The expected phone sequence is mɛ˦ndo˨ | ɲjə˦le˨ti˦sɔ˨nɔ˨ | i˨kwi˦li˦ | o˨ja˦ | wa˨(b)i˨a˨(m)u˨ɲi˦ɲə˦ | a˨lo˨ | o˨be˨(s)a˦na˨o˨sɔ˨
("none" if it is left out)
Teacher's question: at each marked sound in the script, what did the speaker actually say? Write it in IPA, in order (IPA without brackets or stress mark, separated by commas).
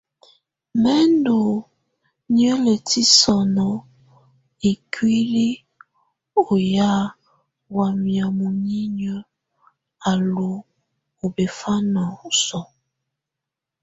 m, m, f